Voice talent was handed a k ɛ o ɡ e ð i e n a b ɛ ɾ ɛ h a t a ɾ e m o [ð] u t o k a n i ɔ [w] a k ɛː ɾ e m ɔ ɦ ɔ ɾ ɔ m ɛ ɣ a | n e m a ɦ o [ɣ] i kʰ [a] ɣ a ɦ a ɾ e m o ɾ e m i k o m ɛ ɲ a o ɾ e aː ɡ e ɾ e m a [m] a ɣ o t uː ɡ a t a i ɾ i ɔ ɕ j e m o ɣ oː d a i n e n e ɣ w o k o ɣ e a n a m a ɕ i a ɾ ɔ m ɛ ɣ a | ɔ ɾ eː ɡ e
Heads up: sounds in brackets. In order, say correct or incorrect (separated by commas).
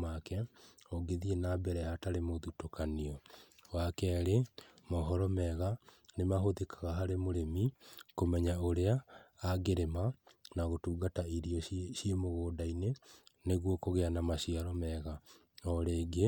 correct, correct, incorrect, correct, incorrect